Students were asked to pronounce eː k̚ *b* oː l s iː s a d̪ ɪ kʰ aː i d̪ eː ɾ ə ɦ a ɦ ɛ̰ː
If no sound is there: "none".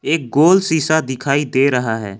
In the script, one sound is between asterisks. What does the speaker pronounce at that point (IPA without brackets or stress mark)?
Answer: ɡ